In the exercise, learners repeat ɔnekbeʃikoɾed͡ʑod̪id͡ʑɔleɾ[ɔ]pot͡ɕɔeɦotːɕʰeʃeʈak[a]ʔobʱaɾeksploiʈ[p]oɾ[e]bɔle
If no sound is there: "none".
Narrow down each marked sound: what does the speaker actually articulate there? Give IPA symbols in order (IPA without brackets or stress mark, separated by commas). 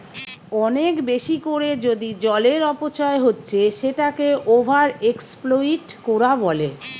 ɔ, e, k, a